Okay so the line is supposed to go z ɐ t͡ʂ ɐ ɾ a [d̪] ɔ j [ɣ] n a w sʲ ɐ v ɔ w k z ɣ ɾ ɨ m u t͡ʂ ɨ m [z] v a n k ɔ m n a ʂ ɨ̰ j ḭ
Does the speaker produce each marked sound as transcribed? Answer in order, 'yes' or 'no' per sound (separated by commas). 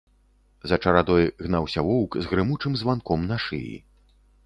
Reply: yes, yes, yes